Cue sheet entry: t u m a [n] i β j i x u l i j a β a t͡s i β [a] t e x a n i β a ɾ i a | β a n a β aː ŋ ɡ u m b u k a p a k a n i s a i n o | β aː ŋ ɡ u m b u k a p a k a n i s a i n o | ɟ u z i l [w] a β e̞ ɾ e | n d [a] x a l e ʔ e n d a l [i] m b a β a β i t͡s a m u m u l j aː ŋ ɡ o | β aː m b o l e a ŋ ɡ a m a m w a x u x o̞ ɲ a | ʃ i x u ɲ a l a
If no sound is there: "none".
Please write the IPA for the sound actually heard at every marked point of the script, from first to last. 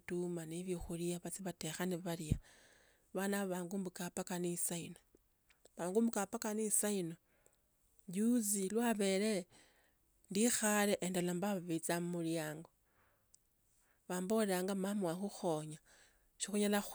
n, a, w, i, a

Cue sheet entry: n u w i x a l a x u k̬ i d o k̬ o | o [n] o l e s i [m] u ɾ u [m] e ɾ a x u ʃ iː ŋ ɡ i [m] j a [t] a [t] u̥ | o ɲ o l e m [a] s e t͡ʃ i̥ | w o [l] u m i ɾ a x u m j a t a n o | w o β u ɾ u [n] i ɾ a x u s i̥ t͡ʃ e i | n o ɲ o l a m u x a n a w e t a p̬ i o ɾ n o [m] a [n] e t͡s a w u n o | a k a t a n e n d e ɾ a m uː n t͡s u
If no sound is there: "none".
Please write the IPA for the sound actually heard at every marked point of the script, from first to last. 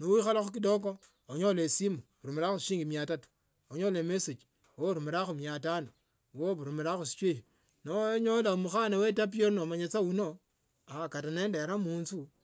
ɲ, m, m, m, t, t, e, ɾ, m, m, ɲ

